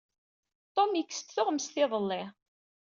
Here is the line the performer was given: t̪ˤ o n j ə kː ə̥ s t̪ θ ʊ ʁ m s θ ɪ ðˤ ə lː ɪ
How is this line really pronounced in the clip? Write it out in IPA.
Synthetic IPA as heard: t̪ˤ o m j ə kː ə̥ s t̪ θ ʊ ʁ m s θ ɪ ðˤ ə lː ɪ